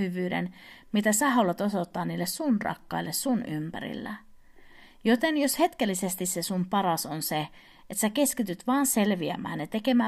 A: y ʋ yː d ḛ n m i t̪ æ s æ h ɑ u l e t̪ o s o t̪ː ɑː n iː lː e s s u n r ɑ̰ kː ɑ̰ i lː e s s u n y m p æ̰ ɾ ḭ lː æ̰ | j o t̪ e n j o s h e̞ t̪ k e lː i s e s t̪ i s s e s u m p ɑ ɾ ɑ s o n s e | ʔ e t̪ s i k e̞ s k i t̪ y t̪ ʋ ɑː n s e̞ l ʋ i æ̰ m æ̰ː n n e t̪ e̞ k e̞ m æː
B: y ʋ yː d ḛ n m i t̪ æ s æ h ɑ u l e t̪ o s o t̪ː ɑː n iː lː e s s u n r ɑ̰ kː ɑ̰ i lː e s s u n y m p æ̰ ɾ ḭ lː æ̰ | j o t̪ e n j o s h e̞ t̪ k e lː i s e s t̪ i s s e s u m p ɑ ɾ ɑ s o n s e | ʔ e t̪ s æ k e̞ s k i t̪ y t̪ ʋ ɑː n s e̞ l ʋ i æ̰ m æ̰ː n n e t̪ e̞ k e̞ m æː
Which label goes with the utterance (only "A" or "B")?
B